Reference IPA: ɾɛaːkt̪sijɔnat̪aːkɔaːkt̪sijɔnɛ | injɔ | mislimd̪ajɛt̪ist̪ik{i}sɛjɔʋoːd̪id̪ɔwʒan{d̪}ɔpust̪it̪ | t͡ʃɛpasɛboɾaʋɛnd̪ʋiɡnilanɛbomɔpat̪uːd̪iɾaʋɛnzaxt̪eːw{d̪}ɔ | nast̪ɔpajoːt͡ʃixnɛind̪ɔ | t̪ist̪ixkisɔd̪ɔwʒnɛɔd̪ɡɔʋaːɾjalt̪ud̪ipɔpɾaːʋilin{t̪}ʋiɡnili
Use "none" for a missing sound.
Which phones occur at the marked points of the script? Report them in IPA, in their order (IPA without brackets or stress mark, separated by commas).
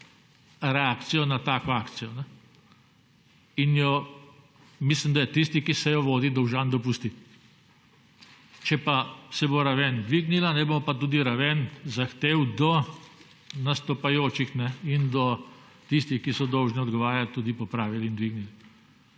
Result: i, d̪, d̪, d̪